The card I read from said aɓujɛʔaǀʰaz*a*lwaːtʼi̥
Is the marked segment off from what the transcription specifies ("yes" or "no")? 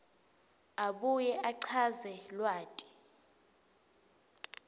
yes